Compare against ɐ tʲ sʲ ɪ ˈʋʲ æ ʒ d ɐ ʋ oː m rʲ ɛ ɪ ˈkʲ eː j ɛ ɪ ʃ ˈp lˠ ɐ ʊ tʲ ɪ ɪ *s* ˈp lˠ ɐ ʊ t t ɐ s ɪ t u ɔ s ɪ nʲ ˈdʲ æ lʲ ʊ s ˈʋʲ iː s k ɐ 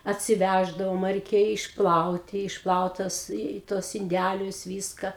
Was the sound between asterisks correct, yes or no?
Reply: no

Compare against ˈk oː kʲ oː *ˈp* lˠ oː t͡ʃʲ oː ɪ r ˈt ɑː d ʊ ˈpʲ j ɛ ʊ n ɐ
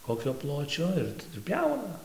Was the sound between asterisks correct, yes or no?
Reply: yes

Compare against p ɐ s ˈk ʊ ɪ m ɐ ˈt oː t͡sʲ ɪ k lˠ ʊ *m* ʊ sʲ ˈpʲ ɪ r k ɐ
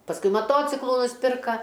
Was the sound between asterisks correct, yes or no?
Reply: no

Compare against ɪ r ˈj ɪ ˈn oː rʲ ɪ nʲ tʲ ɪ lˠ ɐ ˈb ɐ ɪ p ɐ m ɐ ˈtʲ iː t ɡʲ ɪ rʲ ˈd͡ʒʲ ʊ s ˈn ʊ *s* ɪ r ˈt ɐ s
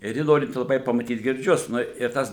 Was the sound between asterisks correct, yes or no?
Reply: no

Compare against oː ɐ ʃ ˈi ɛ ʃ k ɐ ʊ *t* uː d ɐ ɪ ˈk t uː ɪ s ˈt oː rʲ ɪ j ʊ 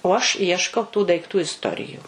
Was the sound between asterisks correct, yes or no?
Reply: yes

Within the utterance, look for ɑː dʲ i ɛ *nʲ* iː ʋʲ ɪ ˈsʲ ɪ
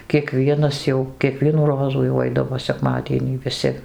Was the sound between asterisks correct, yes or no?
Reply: yes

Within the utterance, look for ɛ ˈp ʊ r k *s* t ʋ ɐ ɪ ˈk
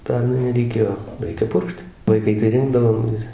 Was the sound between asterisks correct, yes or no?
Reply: no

